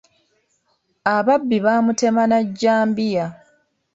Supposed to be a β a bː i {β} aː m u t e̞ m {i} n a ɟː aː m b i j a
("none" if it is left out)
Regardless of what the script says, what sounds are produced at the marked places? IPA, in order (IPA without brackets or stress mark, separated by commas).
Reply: β, a